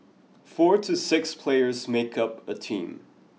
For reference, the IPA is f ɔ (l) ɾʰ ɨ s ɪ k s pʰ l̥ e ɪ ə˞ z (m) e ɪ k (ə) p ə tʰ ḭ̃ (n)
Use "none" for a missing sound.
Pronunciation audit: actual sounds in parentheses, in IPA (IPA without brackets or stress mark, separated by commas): ɹ, m, ʌ, m